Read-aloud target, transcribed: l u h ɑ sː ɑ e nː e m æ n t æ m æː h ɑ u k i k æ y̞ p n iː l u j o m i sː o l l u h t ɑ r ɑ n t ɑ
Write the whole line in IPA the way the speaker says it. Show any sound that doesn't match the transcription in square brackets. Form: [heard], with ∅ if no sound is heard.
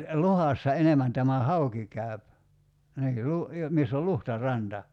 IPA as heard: l u h ɑ sː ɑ e [n] e m æ n t æ m [æ] h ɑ u k i k æ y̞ p n iː l u j o m i sː o l l u h t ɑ r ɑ n t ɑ